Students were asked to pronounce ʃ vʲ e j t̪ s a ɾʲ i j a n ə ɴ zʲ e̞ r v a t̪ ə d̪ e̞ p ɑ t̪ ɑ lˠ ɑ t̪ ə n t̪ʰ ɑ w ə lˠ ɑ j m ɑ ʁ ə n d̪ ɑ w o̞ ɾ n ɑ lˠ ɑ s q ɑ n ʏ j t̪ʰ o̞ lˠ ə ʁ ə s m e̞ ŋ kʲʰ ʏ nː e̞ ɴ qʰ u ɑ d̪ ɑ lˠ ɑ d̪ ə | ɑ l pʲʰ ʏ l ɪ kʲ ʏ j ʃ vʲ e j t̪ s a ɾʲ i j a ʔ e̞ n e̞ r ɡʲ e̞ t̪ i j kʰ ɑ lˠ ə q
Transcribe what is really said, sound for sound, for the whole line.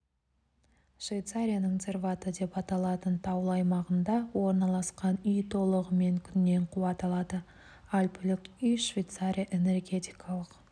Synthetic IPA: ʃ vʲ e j t̪ s a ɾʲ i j a n ə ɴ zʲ e̞ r v a t̪ ə d̪ e̞ p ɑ t̪ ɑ lˠ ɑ t̪ ə n t̪ʰ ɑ w ə lˠ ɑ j m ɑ ʁ ə n d̪ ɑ w o̞ ɾ n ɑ lˠ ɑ s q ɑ n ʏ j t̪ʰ o̞ lˠ ə ʁ ə m e̞ ŋ kʲʰ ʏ nː e̞ ɴ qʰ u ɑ t̪ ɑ lˠ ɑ d̪ ə | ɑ l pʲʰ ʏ l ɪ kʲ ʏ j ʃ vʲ e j t̪ s a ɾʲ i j a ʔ e̞ n e̞ r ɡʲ e̞ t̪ i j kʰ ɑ lˠ ə q

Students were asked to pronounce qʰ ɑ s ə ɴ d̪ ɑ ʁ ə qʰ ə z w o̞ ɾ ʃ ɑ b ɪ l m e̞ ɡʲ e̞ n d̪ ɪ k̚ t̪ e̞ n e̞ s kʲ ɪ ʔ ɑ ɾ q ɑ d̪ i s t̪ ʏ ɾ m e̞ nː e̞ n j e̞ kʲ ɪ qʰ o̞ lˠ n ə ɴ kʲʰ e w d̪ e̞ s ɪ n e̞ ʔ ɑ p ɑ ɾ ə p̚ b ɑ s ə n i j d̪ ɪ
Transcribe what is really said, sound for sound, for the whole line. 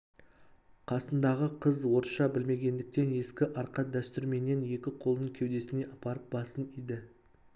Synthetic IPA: qʰ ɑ s ə n d̪ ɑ ʁ ə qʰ ə z w o̞ ɾ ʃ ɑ b ɪ l m e̞ ɡʲ e̞ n d̪ ɪ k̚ t̪ e̞ n e̞ s kʲ ɪ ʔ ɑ ɾ q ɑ d̪ æ s t̪ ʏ ɾ m e̞ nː e̞ n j e̞ kʲ ɪ qʰ o̞ lˠ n ə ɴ kʲʰ e w d̪ e̞ s ɪ n e̞ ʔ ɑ p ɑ ɾ ə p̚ b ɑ s ə n i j d̪ ɪ

